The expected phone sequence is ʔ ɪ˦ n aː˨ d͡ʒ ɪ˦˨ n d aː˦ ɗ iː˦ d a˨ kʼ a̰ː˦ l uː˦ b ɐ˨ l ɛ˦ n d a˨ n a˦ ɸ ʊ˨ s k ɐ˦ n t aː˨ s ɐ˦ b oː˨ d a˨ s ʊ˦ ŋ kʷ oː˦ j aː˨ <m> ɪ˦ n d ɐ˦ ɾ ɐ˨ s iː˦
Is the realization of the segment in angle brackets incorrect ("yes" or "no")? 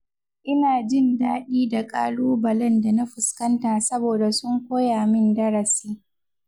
no